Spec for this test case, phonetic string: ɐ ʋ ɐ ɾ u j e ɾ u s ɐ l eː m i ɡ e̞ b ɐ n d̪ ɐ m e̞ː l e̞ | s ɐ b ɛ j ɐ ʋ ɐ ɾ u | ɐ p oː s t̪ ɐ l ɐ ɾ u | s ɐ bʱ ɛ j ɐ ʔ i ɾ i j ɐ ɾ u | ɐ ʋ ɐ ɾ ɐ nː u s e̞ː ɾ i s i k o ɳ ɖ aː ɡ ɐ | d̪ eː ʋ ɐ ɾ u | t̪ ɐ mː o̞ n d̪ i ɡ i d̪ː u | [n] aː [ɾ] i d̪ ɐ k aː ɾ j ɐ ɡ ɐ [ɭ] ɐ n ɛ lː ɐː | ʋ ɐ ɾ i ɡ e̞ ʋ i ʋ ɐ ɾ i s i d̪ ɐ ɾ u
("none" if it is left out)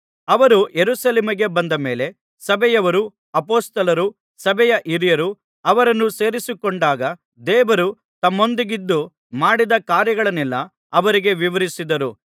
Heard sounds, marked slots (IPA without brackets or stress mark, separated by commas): m, ɽ, ɭ